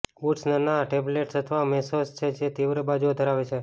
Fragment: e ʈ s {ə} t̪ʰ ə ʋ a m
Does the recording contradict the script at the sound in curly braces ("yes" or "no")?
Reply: no